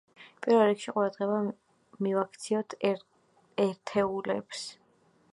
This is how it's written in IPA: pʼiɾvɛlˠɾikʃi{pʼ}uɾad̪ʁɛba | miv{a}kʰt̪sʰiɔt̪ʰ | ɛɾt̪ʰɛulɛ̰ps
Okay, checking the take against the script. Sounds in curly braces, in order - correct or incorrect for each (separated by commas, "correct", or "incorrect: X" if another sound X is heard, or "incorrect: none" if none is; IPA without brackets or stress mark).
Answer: incorrect: qʼ, correct